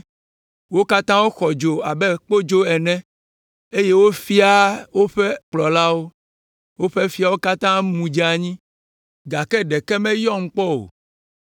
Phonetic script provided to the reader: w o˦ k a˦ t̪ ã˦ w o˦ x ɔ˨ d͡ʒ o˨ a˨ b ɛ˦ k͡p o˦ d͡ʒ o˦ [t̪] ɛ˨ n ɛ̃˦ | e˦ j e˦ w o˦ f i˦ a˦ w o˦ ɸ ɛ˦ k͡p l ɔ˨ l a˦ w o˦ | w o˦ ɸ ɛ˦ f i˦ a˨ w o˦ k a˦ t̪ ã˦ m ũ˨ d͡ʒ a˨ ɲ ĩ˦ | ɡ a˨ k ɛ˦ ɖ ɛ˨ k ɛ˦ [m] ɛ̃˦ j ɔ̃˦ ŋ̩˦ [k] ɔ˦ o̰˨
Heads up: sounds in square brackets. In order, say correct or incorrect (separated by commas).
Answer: incorrect, correct, incorrect